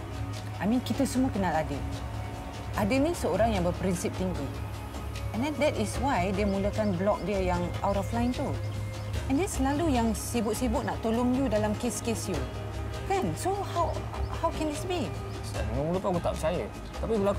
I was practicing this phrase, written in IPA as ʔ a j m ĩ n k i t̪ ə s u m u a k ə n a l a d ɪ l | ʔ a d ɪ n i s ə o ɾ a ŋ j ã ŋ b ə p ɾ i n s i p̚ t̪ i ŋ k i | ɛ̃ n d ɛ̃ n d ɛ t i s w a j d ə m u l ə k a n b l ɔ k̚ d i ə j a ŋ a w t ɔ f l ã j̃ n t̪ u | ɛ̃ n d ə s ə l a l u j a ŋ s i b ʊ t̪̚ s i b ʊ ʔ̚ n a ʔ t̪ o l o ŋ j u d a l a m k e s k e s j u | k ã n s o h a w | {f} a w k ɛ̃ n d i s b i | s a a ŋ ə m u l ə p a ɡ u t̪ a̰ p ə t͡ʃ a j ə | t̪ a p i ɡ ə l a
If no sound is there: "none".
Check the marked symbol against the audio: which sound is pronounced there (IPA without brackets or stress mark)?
h